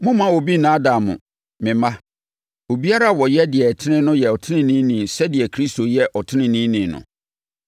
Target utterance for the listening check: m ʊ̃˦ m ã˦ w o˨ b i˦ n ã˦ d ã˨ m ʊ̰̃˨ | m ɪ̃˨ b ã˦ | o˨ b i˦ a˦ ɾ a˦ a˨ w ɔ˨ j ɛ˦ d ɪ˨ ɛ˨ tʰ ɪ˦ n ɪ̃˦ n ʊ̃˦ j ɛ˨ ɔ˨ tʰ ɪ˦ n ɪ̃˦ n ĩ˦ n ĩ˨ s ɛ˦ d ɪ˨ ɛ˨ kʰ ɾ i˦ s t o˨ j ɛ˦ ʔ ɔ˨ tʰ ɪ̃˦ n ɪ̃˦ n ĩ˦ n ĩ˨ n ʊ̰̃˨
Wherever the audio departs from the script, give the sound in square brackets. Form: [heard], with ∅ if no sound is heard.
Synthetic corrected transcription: m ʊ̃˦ m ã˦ w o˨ b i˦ n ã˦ d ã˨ m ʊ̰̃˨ | m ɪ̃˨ [m] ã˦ | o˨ b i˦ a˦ ɾ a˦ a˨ w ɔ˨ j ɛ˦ d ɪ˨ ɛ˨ tʰ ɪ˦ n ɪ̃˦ n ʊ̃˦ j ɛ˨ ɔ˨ tʰ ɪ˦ n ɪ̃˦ n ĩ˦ n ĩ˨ s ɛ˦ d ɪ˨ ɛ˨ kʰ ɾ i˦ s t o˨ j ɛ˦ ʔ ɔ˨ tʰ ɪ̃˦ n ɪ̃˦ n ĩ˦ n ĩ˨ n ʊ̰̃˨